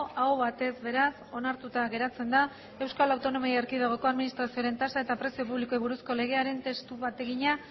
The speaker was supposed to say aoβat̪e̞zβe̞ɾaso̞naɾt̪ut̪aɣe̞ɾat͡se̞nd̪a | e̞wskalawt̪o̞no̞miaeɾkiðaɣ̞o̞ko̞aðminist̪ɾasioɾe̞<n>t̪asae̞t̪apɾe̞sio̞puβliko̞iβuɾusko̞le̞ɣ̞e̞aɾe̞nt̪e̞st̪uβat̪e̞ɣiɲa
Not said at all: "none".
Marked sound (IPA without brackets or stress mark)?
n